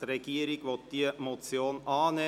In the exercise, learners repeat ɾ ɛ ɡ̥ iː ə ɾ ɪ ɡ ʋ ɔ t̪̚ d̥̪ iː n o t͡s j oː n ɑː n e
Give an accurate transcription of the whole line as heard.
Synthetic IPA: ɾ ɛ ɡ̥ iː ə ɾ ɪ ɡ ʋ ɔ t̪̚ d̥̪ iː m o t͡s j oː n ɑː n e